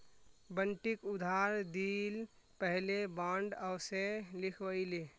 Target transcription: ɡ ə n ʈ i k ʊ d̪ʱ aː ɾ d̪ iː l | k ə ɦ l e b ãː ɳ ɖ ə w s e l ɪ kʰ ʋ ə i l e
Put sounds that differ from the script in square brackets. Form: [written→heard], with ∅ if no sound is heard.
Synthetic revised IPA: [ɡ→b] ə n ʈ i k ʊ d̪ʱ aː ɾ d̪ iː l | [k→p] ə ɦ l e b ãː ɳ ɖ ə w s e l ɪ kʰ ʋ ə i l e

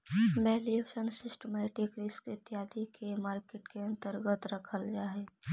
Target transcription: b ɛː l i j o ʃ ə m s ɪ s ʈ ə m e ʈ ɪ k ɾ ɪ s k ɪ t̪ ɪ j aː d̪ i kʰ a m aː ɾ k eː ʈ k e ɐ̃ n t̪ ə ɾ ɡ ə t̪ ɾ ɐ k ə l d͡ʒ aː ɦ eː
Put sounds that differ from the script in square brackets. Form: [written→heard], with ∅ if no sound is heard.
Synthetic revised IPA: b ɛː l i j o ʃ ə [m→n] s ɪ s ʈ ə m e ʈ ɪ k ɾ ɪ s k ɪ t̪ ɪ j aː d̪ i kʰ [a→e] m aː ɾ k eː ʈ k e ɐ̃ n t̪ ə ɾ ɡ ə t̪ ɾ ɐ [k→kʰ] ə l d͡ʒ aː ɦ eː

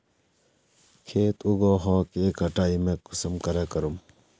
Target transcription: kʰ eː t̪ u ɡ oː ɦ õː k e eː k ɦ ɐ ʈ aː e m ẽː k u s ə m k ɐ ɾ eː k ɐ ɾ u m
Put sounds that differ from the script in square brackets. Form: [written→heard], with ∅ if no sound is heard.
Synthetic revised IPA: kʰ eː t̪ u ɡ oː ɦ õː k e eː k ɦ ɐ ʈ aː [e→i] m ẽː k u s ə m k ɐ ɾ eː k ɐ ɾ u m

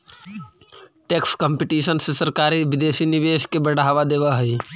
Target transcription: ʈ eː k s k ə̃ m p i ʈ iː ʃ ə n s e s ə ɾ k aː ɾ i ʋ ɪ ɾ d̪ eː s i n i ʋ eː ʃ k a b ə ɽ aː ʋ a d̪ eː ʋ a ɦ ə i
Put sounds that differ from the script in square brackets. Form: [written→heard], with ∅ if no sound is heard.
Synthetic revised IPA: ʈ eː k s k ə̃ m p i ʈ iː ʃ ə n s e s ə ɾ k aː ɾ i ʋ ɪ [ɾ→∅] d̪ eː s i n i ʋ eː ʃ k [a→e] b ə ɽ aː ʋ a d̪ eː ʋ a ɦ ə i

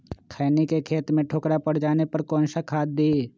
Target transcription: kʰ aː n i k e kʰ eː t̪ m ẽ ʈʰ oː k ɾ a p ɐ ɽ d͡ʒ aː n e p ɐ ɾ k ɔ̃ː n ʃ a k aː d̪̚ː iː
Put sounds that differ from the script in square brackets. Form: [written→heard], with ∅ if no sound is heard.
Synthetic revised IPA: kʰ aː n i k e kʰ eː t̪ m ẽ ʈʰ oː k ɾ a p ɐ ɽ d͡ʒ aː n e p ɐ ɾ k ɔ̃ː n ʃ a [k→kʰ] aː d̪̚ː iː

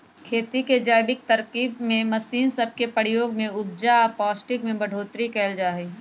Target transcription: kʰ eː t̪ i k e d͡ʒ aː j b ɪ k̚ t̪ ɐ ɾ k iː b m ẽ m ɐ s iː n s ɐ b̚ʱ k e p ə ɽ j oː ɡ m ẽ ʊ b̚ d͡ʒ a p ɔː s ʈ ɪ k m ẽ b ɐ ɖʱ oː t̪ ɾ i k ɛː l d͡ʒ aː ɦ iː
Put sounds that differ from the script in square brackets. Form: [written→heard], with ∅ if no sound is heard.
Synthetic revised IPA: kʰ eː t̪ i k e d͡ʒ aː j b ɪ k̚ t̪ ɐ ɾ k iː b m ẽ m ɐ s iː n s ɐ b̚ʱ k e p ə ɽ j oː ɡ m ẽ ʊ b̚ d͡ʒ a p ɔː s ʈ ɪ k m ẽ b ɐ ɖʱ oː t̪ ɾ i k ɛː l d͡ʒ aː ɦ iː

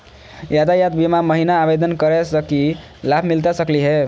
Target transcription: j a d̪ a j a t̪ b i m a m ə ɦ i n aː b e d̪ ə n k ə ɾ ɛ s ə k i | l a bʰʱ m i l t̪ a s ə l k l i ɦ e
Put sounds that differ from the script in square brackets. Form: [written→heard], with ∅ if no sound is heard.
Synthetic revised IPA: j a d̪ a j a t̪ b i m a m ə ɦ i n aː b e d̪ ə n k ə ɾ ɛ s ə k i | l a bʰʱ m i l t̪ a s ə [l→∅] k l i ɦ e

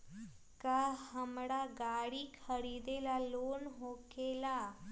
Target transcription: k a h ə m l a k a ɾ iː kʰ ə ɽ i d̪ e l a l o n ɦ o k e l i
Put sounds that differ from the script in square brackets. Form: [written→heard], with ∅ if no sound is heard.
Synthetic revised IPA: k a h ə m [l→ɽ] a [k→ɡ] a [ɾ→ɽ] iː kʰ ə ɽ i d̪ e l a l o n ɦ o k e l [i→a]

